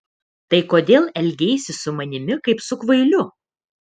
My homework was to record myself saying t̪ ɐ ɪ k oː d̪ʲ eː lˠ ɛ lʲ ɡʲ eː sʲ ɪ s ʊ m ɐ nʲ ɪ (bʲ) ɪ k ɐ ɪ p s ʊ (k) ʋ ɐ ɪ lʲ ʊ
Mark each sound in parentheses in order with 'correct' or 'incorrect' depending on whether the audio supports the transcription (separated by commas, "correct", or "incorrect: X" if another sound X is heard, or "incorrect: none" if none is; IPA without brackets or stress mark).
incorrect: mʲ, correct